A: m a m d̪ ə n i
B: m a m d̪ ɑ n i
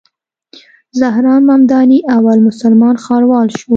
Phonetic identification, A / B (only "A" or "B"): B